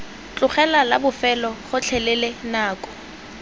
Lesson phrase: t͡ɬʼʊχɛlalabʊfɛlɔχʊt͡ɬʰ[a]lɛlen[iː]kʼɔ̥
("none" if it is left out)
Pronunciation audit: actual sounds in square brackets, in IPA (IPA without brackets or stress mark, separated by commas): ɛ, aː